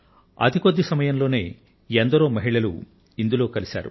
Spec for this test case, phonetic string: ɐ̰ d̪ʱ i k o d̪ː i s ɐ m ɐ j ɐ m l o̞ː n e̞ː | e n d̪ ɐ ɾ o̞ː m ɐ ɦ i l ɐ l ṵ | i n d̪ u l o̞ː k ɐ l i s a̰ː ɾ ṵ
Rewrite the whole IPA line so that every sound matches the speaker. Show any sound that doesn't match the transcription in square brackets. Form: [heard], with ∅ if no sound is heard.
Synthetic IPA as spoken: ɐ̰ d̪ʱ i k o d̪ː i s ɐ m ɐ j ɐ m l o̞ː n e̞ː | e n d̪ ɐ ɾ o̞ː m ɐ ɦ i [ɭ] ɐ l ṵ | i n d̪ u l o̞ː k ɐ l i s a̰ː ɾ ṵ